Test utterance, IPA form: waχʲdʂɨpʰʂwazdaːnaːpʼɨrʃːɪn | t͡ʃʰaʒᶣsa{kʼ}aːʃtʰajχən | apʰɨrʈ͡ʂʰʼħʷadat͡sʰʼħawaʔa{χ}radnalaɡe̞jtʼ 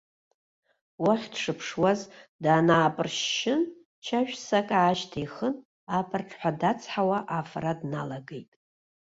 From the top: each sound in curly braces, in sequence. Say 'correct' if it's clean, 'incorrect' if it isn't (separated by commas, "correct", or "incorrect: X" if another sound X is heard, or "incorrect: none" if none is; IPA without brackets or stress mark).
correct, incorrect: f